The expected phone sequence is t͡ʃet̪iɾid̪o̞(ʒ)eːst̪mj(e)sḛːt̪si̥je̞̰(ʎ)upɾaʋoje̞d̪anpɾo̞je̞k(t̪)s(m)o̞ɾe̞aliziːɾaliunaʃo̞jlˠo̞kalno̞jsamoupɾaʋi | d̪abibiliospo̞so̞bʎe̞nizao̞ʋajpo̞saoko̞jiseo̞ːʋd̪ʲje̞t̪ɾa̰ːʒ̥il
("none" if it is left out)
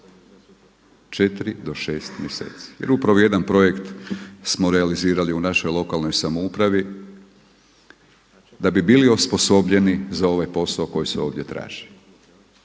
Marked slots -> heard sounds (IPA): ʃ, e, ɾ, t̪, m

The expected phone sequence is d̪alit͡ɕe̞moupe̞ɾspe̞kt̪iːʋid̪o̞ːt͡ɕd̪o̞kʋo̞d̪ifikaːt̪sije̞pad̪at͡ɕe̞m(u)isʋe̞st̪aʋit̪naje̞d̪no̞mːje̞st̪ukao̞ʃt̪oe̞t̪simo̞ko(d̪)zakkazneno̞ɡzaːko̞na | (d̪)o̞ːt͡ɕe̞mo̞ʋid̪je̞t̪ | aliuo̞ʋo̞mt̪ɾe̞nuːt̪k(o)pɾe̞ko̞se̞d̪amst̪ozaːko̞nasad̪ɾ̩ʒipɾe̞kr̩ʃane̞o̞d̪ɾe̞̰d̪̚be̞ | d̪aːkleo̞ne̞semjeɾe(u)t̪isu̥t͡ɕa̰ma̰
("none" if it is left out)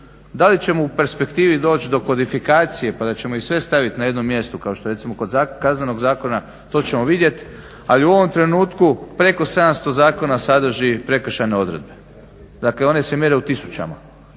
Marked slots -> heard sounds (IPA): o, d̪, t̪, u, u

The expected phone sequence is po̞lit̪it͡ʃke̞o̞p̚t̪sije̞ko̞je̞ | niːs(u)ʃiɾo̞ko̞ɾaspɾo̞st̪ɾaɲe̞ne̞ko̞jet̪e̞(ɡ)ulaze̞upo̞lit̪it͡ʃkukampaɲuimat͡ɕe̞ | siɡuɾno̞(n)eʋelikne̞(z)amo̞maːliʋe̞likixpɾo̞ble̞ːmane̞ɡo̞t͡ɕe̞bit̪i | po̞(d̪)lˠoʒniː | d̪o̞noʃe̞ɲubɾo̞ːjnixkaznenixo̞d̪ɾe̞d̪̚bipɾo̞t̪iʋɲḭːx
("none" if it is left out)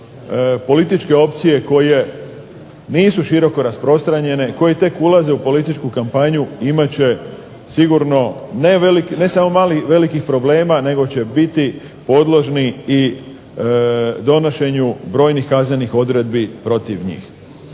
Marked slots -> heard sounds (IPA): u, k, n, s, d̪

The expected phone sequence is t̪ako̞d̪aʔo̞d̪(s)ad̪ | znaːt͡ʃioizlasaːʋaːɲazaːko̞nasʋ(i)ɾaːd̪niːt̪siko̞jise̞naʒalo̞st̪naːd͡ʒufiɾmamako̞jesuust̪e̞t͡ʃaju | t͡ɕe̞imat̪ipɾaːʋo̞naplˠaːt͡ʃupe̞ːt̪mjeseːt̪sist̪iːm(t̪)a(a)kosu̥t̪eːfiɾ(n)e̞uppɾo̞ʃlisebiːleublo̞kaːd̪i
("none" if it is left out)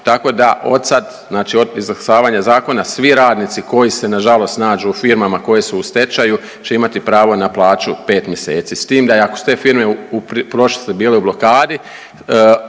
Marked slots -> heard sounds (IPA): s, i, d̪, a, m

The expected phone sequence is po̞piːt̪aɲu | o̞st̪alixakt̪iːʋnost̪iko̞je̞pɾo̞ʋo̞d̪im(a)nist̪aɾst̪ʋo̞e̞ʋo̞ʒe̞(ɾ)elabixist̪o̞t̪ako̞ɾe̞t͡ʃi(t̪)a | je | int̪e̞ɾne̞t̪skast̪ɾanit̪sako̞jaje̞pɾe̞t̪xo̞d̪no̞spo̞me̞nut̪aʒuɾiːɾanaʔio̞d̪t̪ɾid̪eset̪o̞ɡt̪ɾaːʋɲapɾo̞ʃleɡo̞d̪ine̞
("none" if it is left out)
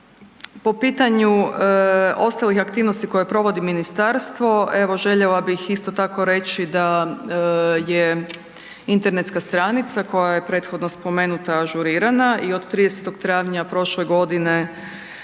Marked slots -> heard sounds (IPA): i, ʎ, d̪

